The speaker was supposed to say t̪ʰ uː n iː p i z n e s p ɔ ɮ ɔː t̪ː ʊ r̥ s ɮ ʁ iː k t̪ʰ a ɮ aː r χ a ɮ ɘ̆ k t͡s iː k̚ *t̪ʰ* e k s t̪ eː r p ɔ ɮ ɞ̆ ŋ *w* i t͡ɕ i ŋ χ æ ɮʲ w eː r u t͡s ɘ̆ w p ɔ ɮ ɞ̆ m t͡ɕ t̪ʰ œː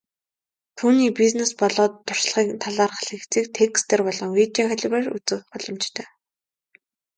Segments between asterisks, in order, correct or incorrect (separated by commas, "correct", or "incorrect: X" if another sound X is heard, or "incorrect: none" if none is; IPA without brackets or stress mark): correct, correct